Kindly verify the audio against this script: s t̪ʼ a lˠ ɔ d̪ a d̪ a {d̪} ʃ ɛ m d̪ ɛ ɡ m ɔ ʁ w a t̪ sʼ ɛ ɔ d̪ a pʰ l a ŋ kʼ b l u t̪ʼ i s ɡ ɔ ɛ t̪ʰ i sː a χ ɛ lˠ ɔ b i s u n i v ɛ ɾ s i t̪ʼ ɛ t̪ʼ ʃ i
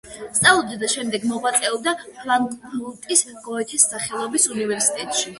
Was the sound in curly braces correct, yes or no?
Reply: no